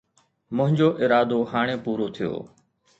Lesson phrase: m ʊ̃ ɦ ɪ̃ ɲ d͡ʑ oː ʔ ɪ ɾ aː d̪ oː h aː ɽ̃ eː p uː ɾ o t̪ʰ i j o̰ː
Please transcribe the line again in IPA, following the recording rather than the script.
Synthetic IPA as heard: m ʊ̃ ɦ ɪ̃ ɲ d͡ʑ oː ʔ ɪ ɾ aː d̪ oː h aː ɽ̃ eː p uː ɾ o t̪ʰ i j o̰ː